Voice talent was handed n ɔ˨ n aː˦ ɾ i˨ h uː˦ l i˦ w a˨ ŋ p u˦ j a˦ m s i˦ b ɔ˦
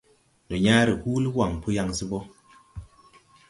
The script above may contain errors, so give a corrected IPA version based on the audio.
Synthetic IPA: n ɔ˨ ɲ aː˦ ɾ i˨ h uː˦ l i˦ w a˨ ŋ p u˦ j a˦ ŋ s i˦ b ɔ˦